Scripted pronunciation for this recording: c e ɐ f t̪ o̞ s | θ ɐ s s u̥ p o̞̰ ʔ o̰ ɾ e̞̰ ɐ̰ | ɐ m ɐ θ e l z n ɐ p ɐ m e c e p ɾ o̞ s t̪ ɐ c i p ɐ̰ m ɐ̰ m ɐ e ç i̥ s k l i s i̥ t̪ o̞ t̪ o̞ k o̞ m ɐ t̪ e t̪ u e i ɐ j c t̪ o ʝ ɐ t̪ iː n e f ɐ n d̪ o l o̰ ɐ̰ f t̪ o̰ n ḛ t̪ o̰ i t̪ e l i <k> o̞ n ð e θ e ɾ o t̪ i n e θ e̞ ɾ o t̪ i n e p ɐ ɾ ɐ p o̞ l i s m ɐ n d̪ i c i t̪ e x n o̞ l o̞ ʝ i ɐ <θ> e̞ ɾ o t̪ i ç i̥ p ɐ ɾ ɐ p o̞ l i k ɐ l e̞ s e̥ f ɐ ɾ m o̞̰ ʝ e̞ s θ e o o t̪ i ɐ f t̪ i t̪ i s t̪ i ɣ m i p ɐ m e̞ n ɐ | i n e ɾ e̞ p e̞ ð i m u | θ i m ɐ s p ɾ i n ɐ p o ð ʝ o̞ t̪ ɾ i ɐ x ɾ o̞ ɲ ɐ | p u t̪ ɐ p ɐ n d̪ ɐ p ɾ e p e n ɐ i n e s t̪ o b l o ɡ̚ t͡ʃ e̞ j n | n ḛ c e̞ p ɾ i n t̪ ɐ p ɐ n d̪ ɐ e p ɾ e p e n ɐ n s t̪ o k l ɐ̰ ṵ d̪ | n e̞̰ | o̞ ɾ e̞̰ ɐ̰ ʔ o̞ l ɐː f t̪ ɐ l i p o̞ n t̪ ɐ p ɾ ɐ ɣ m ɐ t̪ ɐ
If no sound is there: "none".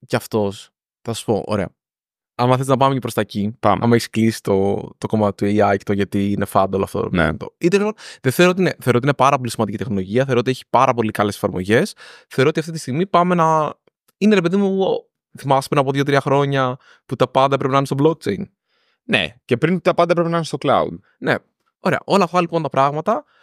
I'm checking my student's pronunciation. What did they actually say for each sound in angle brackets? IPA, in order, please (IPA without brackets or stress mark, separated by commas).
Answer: p, θ